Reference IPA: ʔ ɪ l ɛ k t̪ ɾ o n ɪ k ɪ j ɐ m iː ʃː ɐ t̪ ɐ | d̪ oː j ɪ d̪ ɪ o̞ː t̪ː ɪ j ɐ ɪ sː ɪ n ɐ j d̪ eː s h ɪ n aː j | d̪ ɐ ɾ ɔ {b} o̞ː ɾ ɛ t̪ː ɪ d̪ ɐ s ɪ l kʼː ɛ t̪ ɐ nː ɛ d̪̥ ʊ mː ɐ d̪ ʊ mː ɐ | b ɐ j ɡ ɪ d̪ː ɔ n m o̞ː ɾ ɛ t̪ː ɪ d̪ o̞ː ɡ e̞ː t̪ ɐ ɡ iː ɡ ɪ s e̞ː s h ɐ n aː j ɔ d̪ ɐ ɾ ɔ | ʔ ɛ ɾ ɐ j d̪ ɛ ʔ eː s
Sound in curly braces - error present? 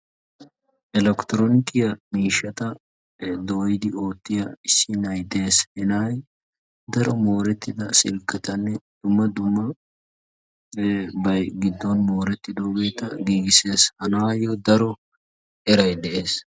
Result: yes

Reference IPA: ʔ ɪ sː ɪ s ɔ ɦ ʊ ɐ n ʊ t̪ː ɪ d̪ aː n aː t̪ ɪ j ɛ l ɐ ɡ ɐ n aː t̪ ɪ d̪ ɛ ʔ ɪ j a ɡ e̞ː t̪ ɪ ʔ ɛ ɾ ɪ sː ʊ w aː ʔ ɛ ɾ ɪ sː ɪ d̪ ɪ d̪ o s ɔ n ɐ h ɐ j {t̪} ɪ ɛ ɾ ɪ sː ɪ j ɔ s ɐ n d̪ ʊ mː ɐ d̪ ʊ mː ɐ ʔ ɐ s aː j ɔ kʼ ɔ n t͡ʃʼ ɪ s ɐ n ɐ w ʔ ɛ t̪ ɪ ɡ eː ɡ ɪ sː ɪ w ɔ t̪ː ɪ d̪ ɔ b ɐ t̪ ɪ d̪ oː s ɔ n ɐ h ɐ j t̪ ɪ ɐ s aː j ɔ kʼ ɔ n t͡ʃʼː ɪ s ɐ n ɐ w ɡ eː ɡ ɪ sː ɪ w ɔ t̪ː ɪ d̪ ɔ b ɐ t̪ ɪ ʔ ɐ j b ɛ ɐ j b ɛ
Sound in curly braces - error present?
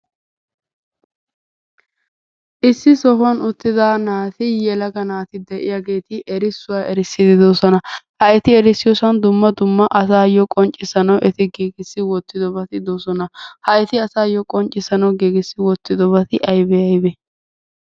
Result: no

